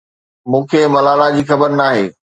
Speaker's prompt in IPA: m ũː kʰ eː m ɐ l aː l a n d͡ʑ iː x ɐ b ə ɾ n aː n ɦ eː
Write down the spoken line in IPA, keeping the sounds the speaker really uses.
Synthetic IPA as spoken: m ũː kʰ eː m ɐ l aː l a d͡ʑ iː x ɐ b ə ɾ n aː ɦ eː